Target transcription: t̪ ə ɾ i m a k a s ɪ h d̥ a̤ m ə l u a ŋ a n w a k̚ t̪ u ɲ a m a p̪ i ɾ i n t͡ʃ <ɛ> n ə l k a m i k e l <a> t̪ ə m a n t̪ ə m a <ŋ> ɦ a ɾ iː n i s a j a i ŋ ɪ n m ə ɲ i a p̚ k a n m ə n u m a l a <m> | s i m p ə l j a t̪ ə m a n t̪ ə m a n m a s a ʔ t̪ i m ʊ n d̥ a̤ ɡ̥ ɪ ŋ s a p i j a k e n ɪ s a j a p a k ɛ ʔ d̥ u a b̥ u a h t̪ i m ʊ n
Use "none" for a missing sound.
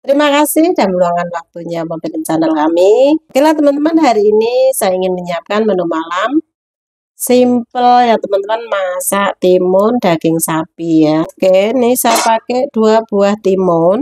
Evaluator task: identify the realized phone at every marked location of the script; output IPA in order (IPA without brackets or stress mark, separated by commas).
a, a, n, m